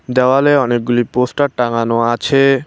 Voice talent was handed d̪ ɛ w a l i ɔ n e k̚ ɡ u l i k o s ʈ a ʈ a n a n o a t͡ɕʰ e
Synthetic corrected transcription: d̪ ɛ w a l e ɔ n e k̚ ɡ u l i p o s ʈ a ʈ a ŋ a n o a t͡ɕʰ e